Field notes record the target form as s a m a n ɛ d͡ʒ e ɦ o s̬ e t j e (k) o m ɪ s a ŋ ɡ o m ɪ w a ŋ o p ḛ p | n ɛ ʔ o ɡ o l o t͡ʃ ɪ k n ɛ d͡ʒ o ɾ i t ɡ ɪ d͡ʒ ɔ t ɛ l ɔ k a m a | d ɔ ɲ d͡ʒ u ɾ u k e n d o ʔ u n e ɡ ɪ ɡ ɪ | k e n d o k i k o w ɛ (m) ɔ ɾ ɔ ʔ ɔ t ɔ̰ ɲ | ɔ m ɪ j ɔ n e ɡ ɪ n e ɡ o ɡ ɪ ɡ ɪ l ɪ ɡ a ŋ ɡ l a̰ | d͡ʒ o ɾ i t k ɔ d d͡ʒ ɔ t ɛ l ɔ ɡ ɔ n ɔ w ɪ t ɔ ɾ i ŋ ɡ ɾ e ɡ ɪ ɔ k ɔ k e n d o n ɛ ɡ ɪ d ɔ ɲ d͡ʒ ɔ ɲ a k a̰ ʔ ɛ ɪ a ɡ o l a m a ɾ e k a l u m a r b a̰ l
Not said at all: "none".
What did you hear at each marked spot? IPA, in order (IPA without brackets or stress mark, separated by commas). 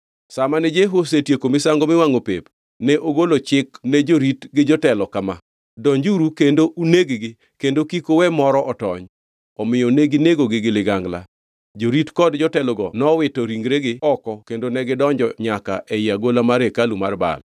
k, m